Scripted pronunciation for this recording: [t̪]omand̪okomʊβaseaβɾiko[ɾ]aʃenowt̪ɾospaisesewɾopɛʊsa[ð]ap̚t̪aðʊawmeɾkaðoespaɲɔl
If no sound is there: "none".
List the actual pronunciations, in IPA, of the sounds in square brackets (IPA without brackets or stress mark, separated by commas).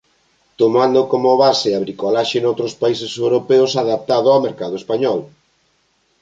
t̪, l, ð